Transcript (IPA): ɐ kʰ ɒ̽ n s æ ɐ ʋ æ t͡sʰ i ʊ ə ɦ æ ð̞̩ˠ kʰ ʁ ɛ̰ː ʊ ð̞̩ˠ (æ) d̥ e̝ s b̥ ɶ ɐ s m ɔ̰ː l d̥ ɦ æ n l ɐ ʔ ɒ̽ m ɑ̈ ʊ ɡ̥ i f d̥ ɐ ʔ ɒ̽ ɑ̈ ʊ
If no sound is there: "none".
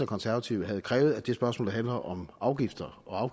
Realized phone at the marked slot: æ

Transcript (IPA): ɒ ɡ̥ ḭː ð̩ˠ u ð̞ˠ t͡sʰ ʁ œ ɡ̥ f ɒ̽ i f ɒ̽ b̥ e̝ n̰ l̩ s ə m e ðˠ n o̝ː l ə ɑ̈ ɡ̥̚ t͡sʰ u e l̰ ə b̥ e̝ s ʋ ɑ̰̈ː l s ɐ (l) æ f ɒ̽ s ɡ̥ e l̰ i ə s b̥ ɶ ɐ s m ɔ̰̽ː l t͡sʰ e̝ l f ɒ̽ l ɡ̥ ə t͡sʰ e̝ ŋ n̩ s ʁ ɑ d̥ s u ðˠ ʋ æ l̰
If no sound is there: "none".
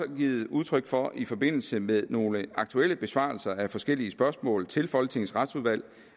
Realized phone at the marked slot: none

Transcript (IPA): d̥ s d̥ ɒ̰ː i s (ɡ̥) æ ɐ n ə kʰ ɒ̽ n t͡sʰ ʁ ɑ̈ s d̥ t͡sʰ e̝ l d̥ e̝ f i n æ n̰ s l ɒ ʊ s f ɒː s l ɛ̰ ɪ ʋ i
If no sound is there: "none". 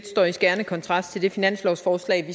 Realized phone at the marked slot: ɡ̥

